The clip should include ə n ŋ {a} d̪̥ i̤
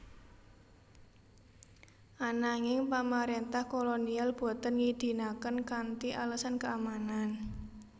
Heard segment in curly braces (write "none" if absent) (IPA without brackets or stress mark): i